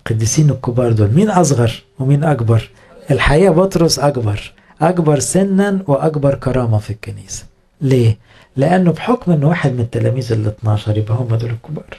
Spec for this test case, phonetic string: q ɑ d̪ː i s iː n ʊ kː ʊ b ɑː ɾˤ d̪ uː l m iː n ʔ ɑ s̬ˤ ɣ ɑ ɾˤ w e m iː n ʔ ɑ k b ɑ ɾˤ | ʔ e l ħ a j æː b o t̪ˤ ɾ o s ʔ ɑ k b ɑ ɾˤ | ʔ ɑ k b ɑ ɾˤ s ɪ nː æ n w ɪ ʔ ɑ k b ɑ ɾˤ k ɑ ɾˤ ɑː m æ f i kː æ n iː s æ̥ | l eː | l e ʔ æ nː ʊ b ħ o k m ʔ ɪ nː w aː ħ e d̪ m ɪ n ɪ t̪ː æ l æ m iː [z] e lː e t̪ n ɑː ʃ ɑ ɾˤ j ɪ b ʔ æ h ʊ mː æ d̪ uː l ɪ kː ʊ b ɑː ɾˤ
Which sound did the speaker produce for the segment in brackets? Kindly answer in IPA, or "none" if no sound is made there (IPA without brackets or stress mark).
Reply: z